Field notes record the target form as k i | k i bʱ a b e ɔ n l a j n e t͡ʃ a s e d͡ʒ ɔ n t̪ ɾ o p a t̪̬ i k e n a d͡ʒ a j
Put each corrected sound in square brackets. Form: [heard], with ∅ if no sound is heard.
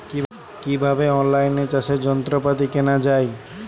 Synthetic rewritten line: k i | k i bʱ a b e ɔ n l a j n e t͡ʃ a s e d͡ʒ ɔ n t̪ ɾ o p a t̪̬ i k e n a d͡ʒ a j